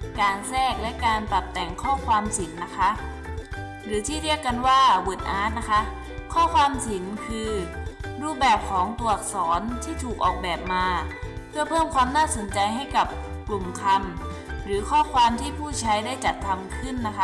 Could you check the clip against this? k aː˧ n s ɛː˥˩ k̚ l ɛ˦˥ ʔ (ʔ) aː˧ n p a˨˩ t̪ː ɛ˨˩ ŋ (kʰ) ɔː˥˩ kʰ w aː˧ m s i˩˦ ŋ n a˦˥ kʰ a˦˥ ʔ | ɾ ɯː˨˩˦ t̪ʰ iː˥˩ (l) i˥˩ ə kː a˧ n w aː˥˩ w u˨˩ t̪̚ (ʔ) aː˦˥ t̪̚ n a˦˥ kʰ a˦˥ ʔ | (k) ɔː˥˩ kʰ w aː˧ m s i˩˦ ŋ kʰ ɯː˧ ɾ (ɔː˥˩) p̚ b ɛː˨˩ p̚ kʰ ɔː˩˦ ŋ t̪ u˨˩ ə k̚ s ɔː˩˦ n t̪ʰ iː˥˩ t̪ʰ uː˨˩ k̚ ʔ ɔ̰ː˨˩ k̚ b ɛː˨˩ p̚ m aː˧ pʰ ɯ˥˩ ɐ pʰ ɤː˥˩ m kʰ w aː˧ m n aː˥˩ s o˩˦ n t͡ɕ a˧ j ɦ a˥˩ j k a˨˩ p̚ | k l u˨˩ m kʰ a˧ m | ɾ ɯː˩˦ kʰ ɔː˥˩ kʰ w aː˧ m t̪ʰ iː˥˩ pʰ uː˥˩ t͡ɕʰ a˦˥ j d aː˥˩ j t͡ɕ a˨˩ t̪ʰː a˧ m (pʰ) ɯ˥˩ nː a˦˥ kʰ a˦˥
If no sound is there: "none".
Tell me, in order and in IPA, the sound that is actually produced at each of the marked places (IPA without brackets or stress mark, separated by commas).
k, kʰ, ɾ, ʔ, kʰ, uː˥˩, kʰ